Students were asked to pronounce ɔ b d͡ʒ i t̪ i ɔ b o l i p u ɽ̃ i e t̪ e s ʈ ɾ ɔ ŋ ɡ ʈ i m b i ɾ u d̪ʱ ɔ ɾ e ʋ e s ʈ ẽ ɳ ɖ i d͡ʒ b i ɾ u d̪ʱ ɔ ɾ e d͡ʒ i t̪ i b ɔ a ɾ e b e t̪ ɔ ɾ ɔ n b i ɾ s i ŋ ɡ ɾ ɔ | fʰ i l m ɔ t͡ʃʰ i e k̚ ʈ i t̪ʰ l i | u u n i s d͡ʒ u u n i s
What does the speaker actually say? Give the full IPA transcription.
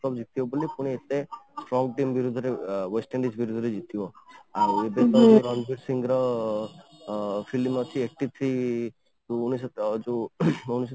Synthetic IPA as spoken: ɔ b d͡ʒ i t̪ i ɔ b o l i p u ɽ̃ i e t̪ e s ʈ ɾ ɔ ŋ ɡ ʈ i m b i ɾ u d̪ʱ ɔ ɾ e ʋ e s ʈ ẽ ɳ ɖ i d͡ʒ b i ɾ u d̪ʱ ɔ ɾ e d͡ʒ i t̪ i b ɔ a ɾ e b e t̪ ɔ ɾ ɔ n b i ɾ s i ŋ ɡ ɾ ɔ | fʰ i l m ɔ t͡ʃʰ i e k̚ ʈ i t̪ʰ ɾ i | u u n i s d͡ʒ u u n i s